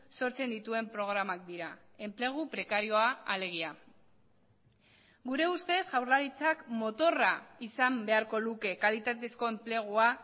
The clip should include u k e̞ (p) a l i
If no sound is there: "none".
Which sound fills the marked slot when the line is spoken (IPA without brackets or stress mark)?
k